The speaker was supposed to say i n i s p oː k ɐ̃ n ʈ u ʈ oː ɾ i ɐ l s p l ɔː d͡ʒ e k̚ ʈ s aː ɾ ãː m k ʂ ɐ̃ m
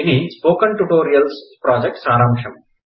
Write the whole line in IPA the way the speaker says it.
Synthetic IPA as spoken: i n i s p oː k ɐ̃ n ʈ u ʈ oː ɾ i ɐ l s p ɾ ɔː d͡ʒ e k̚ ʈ s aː ɾ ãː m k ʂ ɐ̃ m